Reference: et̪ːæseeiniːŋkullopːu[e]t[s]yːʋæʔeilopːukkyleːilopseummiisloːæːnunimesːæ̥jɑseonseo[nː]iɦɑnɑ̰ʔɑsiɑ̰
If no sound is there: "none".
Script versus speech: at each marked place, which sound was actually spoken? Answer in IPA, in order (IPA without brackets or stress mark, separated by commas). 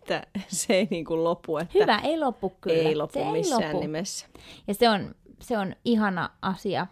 e, h, n